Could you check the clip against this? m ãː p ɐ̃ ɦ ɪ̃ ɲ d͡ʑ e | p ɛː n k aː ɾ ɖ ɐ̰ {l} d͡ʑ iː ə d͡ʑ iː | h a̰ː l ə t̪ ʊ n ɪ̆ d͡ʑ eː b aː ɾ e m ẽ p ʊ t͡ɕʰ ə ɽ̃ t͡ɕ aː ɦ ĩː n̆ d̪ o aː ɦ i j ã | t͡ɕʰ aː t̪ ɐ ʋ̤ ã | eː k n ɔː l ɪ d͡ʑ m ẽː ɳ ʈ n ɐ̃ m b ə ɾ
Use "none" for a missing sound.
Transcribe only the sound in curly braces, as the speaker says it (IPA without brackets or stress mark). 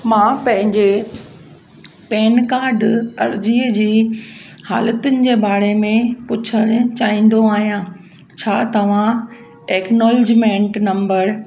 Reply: ɾ